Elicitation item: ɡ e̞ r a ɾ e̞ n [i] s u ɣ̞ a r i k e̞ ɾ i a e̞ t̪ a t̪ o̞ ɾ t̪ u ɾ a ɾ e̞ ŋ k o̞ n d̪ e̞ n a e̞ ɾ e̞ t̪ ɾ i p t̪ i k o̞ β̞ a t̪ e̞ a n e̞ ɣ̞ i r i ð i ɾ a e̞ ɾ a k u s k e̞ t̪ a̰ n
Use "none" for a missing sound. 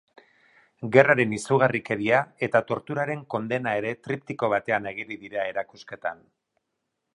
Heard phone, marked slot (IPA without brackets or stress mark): i